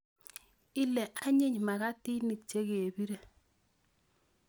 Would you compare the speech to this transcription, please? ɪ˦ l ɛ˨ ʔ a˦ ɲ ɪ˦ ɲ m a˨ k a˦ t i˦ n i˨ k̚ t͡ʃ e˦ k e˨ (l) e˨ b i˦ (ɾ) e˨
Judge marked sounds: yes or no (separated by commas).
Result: no, yes